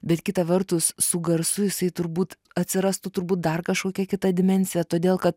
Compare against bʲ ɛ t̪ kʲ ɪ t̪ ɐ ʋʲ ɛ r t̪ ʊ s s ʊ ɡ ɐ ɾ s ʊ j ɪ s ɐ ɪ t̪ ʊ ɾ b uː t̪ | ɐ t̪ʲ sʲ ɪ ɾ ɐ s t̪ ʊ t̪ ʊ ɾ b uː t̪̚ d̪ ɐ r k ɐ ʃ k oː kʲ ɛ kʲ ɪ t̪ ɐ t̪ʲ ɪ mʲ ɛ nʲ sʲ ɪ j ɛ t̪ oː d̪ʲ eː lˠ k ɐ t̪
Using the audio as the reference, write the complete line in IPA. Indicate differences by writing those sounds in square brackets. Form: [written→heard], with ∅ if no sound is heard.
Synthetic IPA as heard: bʲ ɛ t̪ kʲ ɪ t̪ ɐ ʋʲ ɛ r t̪ ʊ s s ʊ ɡ ɐ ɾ s ʊ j ɪ s ɐ ɪ t̪ ʊ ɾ b uː t̪ | ɐ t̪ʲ sʲ ɪ ɾ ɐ s t̪ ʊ t̪ ʊ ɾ b uː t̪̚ d̪ ɐ r k ɐ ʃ k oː kʲ ɛ kʲ ɪ t̪ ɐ [t̪ʲ→d̪ʲ] ɪ mʲ ɛ nʲ sʲ ɪ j ɛ t̪ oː d̪ʲ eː lˠ k ɐ t̪

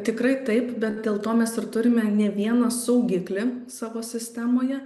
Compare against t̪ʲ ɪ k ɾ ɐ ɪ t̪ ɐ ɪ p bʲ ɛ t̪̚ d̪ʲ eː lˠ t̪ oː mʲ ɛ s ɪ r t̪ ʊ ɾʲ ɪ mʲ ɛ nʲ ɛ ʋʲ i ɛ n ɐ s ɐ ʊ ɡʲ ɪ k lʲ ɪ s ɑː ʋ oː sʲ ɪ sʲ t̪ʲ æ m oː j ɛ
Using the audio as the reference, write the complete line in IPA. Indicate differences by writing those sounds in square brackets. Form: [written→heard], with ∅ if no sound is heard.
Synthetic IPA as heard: t̪ʲ ɪ k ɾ ɐ ɪ t̪ ɐ ɪ p bʲ ɛ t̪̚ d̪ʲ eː lˠ t̪ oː mʲ ɛ s ɪ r t̪ ʊ ɾʲ ɪ mʲ ɛ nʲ ɛ ʋʲ i ɛ n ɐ s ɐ ʊ ɡʲ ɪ k lʲ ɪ s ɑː ʋ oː sʲ ɪ sʲ t̪ʲ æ m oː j ɛ

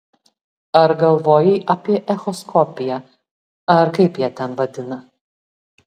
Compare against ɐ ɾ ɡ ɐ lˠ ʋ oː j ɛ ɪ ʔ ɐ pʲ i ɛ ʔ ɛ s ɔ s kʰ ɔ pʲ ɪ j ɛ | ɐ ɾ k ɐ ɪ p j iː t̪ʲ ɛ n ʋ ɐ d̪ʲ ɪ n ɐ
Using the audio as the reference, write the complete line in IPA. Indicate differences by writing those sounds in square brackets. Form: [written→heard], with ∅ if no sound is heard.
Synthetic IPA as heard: ɐ ɾ ɡ ɐ lˠ ʋ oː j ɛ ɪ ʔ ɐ pʲ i ɛ ʔ ɛ [s→x] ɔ s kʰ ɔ pʲ ɪ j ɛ | ɐ ɾ k ɐ ɪ p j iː t̪ʲ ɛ n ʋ ɐ d̪ʲ ɪ n ɐ

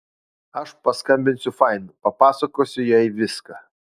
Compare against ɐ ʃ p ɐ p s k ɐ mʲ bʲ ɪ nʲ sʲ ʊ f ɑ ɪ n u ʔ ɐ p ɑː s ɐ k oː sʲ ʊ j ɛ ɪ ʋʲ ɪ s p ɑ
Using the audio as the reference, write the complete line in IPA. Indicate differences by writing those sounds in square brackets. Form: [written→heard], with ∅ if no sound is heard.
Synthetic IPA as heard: ɐ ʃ p ɐ [p→∅] s k ɐ mʲ bʲ ɪ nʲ sʲ ʊ f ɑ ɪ n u [ʔ→p] ɐ p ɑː s ɐ k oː sʲ ʊ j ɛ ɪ ʋʲ ɪ s [p→k] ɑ

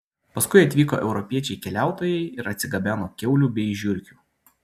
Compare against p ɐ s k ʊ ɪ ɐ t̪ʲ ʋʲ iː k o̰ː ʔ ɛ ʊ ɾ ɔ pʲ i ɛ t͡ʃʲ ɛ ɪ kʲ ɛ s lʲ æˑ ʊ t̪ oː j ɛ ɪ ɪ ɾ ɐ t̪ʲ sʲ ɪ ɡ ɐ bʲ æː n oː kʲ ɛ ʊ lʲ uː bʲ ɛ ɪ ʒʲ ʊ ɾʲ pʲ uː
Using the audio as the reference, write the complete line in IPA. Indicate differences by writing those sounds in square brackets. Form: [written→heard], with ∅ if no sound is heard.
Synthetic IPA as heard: p ɐ s k ʊ ɪ ɐ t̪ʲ ʋʲ iː k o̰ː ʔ ɛ ʊ ɾ ɔ pʲ i ɛ t͡ʃʲ ɛ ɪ kʲ ɛ [s→∅] lʲ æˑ ʊ t̪ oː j ɛ ɪ ɪ ɾ ɐ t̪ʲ sʲ ɪ ɡ ɐ bʲ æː n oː kʲ ɛ ʊ lʲ uː bʲ ɛ ɪ ʒʲ ʊ ɾʲ [pʲ→kʲ] uː

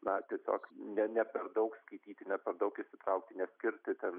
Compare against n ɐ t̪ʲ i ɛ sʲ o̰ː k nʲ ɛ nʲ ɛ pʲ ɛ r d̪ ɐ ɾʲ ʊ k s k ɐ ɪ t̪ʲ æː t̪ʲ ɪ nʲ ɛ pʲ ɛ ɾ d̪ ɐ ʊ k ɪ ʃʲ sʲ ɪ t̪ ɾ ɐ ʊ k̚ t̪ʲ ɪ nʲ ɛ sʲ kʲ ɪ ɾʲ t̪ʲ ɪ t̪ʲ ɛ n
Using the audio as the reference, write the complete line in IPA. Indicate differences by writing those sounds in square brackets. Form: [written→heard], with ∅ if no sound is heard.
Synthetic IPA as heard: n ɐ t̪ʲ i ɛ sʲ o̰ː k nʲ ɛ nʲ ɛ pʲ ɛ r d̪ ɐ [ɾʲ→∅] ʊ k s k ɐ ɪ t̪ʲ [æː→iː] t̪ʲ ɪ nʲ ɛ pʲ ɛ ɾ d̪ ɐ ʊ k ɪ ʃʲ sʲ ɪ t̪ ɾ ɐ ʊ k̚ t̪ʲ ɪ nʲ ɛ sʲ kʲ ɪ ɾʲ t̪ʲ ɪ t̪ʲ ɛ n

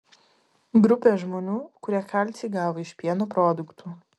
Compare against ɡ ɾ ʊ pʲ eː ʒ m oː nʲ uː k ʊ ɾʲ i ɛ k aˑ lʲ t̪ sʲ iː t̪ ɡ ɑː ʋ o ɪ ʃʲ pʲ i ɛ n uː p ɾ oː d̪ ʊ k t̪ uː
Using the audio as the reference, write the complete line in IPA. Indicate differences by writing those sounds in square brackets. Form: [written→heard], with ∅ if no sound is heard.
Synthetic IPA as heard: ɡ ɾ ʊ pʲ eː ʒ m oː nʲ uː k ʊ ɾʲ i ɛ k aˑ lʲ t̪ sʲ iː [t̪→∅] ɡ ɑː ʋ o ɪ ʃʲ pʲ i ɛ n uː p ɾ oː d̪ ʊ k t̪ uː

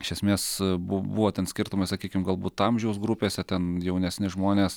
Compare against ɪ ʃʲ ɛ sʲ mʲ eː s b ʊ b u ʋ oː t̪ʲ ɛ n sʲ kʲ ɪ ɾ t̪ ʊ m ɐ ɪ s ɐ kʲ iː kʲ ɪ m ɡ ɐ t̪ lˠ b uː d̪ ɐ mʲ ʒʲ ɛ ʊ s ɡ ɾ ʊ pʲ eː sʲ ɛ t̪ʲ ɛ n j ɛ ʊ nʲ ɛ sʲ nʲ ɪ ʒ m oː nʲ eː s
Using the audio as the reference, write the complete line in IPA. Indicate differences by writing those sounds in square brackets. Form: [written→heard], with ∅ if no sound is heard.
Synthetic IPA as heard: ɪ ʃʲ ɛ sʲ mʲ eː s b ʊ b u ʋ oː t̪ʲ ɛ n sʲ kʲ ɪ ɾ t̪ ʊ m ɐ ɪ s ɐ kʲ iː kʲ ɪ m ɡ ɐ [t̪→∅] lˠ b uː [d̪→t̪] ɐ mʲ ʒʲ ɛ ʊ s ɡ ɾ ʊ pʲ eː sʲ ɛ t̪ʲ ɛ n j ɛ ʊ nʲ ɛ sʲ nʲ ɪ ʒ m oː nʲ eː s

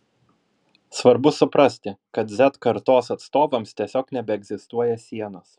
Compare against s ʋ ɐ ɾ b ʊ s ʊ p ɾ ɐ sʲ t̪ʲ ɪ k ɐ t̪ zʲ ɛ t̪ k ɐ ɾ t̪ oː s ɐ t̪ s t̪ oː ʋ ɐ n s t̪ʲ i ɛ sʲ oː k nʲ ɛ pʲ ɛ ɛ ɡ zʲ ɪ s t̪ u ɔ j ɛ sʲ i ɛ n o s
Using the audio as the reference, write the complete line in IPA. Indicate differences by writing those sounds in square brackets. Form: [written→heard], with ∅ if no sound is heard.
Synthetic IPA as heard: s ʋ ɐ ɾ b ʊ s ʊ p ɾ ɐ sʲ t̪ʲ ɪ k ɐ t̪ zʲ ɛ t̪ k ɐ ɾ t̪ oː s ɐ t̪ s t̪ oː ʋ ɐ [n→m] s t̪ʲ i ɛ sʲ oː k nʲ ɛ [pʲ→bʲ] ɛ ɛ ɡ zʲ ɪ s t̪ u ɔ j ɛ sʲ i ɛ n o s

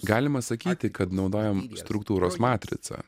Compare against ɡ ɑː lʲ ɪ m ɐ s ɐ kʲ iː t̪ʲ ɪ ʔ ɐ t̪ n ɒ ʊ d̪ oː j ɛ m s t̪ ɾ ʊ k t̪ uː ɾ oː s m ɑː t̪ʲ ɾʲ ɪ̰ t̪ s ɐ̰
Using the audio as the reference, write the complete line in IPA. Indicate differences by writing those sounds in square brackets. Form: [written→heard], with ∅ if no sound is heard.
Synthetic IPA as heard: ɡ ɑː lʲ ɪ m ɐ s ɐ kʲ iː t̪ʲ ɪ [ʔ→k] ɐ t̪ n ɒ ʊ d̪ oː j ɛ m s t̪ ɾ ʊ k t̪ uː ɾ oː s m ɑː t̪ʲ ɾʲ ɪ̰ t̪ s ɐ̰

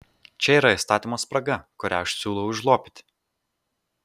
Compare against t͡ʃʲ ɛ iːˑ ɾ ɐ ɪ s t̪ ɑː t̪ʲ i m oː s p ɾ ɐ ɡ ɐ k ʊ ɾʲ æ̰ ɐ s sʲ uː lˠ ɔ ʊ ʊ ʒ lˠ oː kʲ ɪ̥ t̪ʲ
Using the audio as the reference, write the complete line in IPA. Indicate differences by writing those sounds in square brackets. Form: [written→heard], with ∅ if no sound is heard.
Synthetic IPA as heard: t͡ʃʲ ɛ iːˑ ɾ ɐ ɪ s t̪ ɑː t̪ʲ i m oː s p ɾ ɐ ɡ ɐ k ʊ ɾʲ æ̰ ɐ [s→ʃ] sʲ uː lˠ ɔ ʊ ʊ ʒ lˠ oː [kʲ→pʲ] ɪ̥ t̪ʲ

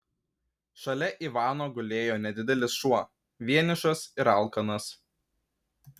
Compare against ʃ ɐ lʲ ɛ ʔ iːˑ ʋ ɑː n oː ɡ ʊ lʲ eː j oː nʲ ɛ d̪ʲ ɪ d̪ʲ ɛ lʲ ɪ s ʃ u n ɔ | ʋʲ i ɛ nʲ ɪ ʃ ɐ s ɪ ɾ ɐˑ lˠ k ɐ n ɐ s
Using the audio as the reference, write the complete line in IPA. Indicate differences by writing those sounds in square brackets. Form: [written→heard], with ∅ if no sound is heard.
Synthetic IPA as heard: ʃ ɐ lʲ ɛ ʔ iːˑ ʋ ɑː n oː ɡ ʊ lʲ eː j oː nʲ ɛ d̪ʲ ɪ d̪ʲ ɛ lʲ ɪ s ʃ u [n→∅] ɔ | ʋʲ i ɛ nʲ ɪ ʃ ɐ s ɪ ɾ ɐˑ lˠ k ɐ n ɐ s

